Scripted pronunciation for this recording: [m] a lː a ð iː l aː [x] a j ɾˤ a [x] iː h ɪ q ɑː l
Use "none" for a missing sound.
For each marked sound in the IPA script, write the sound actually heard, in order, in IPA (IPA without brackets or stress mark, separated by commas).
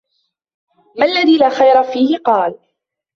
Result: m, x, f